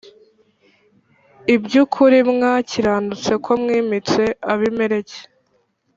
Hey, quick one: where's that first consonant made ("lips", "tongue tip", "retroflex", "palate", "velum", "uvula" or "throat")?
lips